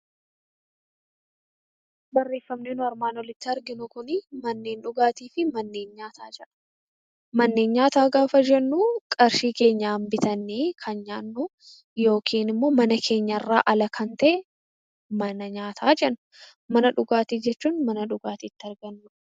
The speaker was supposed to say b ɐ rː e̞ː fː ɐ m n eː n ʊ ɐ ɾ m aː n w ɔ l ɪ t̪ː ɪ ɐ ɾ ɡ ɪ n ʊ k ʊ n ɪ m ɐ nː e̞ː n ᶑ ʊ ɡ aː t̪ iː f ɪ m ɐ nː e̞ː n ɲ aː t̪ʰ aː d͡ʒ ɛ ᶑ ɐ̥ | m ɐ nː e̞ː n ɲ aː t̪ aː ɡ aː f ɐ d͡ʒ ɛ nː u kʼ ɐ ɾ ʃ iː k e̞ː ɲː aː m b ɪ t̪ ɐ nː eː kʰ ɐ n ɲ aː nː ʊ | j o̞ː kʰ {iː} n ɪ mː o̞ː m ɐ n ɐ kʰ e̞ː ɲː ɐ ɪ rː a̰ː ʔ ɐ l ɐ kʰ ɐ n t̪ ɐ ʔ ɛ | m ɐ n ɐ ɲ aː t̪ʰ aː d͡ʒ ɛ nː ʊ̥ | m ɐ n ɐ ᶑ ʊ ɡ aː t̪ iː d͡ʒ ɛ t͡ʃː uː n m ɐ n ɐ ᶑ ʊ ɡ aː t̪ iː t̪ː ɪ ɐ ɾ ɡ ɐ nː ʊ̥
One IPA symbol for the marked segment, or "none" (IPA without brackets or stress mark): iː